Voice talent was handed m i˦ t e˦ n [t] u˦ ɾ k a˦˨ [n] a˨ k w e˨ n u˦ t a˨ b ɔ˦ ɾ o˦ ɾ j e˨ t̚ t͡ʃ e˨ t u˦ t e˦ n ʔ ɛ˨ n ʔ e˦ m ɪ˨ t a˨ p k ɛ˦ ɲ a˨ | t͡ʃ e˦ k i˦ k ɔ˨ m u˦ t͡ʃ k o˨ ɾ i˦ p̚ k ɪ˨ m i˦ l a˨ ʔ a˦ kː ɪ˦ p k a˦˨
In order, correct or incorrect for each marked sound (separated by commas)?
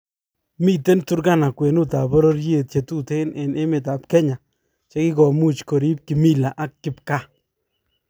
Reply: correct, correct